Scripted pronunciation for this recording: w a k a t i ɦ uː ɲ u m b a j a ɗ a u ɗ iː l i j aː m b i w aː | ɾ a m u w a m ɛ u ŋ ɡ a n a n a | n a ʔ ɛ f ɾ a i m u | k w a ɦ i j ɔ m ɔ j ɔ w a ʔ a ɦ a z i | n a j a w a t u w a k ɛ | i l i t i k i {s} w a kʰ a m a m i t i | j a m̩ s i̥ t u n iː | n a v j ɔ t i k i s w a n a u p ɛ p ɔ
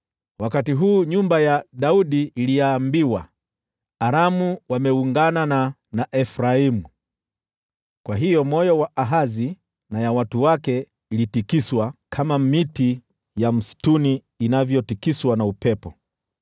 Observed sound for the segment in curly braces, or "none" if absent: s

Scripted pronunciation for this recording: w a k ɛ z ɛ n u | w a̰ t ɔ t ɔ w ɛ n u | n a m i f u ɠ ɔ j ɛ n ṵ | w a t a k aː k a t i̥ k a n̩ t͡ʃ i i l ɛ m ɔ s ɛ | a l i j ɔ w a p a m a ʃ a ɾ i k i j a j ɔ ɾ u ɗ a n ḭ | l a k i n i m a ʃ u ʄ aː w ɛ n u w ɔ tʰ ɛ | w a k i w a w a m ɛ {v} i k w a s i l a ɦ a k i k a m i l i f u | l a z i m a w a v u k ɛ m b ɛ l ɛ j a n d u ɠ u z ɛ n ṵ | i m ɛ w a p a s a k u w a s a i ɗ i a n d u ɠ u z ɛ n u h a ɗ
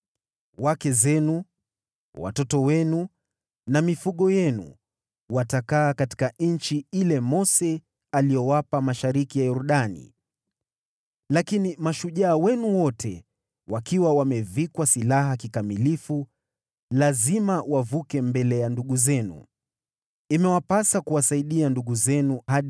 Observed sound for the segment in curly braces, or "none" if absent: v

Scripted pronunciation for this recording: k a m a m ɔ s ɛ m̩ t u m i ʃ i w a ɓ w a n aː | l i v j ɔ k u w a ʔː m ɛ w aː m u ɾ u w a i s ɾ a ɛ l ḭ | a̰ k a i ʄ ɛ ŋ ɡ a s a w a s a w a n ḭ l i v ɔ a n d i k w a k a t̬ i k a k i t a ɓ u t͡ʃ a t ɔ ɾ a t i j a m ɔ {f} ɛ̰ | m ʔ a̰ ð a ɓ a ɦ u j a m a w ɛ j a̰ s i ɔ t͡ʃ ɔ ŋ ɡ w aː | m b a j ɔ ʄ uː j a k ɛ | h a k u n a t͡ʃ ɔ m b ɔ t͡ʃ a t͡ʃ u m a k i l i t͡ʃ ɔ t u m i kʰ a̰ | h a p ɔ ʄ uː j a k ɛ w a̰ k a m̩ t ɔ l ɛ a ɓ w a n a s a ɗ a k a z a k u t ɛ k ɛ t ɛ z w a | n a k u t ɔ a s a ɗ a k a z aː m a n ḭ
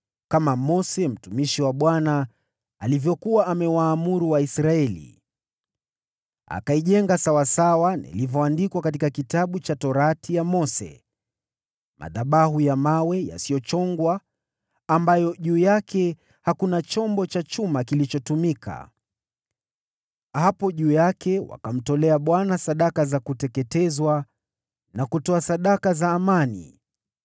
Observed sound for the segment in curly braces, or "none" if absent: s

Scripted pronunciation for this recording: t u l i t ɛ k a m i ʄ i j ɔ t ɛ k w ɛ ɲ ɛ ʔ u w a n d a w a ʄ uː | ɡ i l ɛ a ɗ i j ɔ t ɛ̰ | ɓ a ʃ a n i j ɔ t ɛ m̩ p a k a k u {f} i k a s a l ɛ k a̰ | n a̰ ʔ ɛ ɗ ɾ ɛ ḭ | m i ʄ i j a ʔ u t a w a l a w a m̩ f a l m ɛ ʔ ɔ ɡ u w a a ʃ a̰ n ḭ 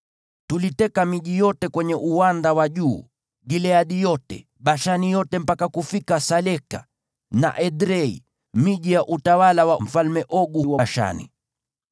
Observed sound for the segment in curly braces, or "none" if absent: f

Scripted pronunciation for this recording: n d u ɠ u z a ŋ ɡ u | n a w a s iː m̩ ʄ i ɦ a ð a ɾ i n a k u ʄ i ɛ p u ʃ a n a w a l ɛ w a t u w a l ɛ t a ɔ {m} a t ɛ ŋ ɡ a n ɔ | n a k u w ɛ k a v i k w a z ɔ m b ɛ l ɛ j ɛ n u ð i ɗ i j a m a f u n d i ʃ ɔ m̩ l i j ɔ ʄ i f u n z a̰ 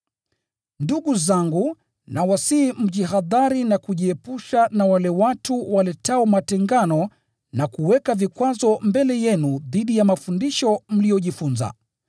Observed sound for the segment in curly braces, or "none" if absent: m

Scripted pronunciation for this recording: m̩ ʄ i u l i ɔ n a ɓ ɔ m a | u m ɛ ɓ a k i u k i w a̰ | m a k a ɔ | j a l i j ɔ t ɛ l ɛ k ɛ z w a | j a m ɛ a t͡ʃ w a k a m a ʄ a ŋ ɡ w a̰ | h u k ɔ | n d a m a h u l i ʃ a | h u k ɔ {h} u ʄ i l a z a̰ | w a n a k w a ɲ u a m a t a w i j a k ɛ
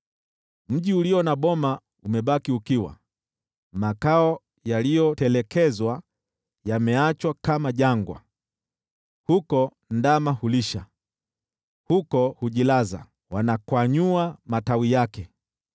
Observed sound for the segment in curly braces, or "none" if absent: h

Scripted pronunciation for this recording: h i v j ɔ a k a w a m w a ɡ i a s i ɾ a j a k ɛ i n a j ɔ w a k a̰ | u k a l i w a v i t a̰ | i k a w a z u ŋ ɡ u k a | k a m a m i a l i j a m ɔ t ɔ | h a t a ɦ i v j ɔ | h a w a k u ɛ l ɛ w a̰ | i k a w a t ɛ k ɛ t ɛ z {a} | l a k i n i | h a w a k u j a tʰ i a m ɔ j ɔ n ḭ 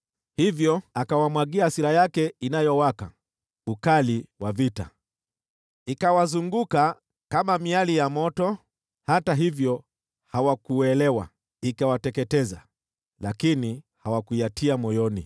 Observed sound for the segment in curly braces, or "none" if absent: a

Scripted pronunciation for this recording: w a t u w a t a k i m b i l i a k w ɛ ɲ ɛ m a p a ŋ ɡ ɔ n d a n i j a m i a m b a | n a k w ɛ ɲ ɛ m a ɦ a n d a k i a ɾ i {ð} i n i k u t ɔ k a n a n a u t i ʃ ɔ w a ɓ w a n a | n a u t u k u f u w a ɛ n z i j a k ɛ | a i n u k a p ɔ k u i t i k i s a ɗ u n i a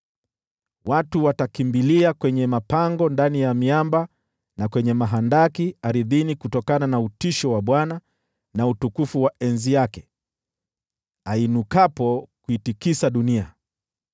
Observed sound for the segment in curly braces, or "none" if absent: ð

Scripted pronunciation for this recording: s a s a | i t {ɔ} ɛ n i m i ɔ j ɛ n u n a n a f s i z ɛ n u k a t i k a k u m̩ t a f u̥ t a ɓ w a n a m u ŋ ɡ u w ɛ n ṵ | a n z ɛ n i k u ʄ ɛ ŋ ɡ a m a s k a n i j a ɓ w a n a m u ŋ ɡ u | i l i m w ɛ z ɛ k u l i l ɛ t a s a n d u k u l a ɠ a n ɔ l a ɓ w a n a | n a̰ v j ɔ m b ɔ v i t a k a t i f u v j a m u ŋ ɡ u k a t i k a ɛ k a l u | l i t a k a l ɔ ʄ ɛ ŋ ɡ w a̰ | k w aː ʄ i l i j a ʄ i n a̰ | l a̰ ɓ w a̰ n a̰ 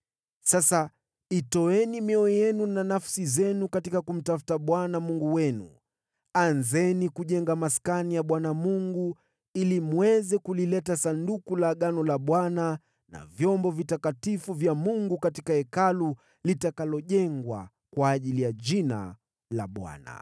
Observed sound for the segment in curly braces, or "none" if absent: ɔ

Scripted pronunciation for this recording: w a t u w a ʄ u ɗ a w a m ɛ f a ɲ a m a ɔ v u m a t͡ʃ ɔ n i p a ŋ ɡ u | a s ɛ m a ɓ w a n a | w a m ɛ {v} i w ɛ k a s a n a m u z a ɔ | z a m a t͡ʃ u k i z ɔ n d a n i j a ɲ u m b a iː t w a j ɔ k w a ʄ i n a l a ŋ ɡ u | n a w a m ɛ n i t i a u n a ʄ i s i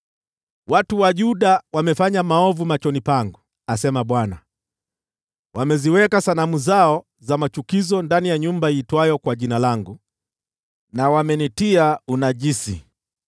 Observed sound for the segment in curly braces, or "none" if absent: z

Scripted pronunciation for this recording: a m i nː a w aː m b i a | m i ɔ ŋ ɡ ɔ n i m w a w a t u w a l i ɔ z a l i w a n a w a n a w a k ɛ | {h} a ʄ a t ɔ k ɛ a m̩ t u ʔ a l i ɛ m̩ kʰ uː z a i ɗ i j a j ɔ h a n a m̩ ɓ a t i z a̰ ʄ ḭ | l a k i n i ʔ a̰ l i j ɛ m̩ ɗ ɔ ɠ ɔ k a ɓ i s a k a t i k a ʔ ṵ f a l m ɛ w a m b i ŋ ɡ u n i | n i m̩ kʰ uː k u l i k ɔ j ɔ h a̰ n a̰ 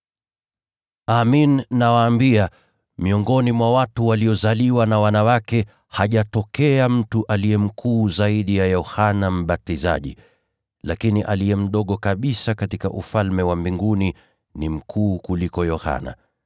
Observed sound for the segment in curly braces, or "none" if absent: h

